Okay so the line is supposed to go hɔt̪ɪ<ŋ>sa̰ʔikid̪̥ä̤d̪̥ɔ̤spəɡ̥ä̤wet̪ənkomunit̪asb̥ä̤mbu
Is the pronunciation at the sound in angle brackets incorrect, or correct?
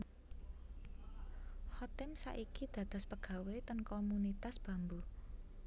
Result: incorrect